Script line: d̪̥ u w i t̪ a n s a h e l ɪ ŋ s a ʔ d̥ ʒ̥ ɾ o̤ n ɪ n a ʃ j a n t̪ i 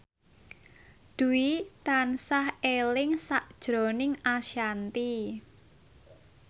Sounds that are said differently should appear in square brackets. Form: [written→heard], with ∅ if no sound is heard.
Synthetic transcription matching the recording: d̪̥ u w i t̪ a n s a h e l ɪ ŋ s a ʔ d̥ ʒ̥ ɾ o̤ n ɪ [n→ŋ] a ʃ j a n t̪ i

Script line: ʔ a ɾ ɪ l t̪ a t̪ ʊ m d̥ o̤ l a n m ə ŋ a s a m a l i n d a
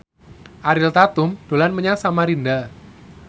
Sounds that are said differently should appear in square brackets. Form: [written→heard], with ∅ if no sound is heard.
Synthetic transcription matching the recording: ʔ a ɾ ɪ l t̪ a t̪ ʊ m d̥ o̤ l a n m ə [ŋ→ɲ] a s a m a [l→ɾ] i n d a

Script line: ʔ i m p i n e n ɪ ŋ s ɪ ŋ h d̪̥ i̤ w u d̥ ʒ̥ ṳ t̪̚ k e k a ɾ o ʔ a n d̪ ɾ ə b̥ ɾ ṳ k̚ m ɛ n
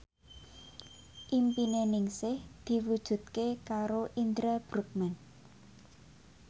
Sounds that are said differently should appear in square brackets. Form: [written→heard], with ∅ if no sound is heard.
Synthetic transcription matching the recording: ʔ i m p i n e n ɪ ŋ s ɪ [ŋ→∅] h d̪̥ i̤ w u d̥ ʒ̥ ṳ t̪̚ k e k a ɾ o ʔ [a→i] n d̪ ɾ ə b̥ ɾ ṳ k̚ m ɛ n

